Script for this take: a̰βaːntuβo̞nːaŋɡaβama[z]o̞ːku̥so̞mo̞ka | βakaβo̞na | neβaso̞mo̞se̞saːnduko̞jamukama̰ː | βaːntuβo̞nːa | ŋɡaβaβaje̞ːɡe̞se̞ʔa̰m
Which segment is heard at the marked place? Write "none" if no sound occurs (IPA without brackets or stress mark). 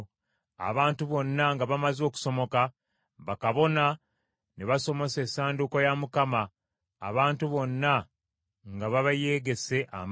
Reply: z